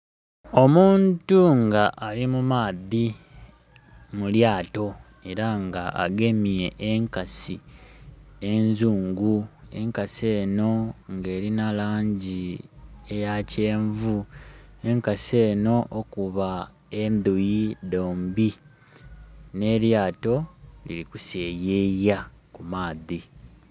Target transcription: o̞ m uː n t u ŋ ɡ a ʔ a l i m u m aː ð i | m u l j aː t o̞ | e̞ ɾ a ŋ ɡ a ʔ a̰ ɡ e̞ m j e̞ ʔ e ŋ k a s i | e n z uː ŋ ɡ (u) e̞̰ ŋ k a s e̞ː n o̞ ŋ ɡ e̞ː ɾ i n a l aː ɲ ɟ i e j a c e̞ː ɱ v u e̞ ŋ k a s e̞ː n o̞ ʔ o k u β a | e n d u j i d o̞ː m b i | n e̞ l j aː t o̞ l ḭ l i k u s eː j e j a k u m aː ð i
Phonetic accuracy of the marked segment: correct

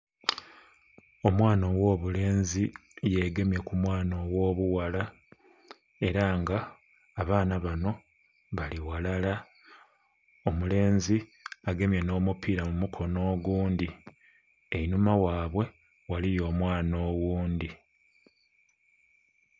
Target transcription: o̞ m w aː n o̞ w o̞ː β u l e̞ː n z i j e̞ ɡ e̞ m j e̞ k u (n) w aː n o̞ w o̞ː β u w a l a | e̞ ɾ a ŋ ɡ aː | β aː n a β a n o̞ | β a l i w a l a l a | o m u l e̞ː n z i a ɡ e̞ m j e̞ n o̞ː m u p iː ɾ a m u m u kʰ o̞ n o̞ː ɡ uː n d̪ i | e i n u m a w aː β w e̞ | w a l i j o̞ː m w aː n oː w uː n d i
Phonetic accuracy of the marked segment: incorrect: m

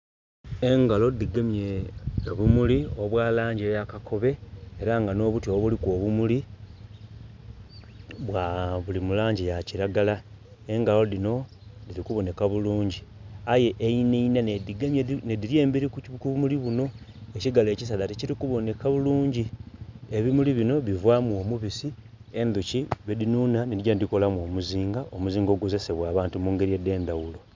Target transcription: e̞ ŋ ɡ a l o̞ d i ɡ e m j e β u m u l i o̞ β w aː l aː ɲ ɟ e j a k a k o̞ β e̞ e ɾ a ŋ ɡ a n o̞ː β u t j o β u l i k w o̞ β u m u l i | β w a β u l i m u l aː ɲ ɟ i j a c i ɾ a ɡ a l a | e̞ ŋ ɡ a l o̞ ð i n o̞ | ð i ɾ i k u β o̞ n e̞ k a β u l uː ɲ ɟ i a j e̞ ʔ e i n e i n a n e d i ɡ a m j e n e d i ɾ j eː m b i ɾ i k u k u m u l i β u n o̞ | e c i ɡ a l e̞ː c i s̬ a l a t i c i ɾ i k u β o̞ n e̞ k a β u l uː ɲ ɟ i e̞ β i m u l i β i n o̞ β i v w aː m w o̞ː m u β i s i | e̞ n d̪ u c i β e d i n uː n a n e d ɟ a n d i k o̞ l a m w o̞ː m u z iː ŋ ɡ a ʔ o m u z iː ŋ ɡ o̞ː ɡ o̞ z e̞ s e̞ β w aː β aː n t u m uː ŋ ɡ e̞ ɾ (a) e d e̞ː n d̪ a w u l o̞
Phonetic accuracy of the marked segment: incorrect: i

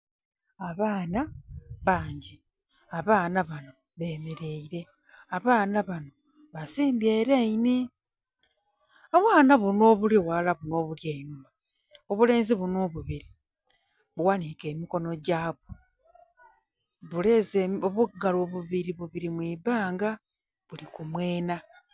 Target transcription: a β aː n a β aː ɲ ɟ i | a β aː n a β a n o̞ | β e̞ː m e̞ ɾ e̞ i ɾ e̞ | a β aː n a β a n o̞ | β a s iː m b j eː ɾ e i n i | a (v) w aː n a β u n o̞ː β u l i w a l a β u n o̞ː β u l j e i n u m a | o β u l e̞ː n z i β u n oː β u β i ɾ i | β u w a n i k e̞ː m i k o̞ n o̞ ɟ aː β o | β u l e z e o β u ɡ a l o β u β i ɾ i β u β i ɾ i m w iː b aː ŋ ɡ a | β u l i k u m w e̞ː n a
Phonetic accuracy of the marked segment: incorrect: β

